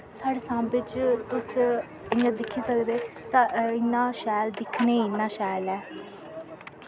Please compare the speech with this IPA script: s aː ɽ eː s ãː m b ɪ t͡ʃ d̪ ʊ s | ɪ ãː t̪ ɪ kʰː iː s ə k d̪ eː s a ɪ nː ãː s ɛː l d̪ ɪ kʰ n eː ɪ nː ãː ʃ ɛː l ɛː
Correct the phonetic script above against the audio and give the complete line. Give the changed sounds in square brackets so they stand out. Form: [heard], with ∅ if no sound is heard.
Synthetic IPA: s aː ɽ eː s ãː m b ɪ t͡ʃ [t̪] ʊ s | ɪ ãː [d̪] ɪ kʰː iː s ə k d̪ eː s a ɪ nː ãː [ʃ] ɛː l d̪ ɪ kʰ n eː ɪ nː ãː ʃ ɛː l ɛː